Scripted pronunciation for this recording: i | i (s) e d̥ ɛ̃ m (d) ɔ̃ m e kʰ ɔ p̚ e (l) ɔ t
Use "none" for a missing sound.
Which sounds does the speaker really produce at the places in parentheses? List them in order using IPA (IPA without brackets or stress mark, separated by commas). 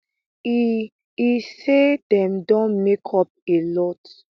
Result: s, d, l